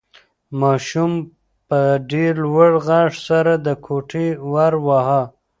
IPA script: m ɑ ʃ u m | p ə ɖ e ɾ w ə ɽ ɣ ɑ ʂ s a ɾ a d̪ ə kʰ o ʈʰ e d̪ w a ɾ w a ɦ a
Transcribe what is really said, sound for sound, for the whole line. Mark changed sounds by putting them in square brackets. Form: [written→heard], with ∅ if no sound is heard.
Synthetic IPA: m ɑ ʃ u m | p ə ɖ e ɾ w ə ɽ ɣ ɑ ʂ s a ɾ a d̪ ə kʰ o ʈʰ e [d̪→∅] w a ɾ w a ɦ a